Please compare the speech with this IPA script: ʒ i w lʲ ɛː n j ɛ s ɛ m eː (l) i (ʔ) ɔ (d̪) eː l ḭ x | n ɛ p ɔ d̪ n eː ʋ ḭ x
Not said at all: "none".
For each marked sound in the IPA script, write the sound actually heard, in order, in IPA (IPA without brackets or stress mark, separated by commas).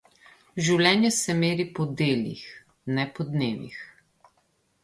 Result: ɾ, p, d̪